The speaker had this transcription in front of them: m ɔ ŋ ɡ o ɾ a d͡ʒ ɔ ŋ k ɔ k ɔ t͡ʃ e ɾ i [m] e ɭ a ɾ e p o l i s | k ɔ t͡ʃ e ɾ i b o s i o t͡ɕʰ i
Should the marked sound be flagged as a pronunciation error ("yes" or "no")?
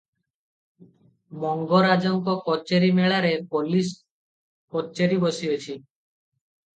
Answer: no